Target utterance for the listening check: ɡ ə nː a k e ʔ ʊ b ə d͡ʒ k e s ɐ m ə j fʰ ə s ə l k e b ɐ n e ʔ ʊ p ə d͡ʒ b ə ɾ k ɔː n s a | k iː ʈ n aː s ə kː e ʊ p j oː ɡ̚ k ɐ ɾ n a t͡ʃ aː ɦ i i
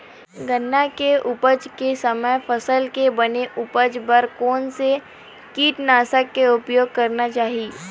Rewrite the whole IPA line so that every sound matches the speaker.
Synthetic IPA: ɡ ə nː a k e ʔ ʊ p ə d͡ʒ k e s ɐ m ə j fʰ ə s ə l k e b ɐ n e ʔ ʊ p ə d͡ʒ b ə ɾ k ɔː n s e | k iː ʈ n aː s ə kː e ʊ p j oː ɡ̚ k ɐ ɾ n a t͡ʃ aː ɦ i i